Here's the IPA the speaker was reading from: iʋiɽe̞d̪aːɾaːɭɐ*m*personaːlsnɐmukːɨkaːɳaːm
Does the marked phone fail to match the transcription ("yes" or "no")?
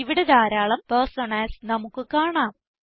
no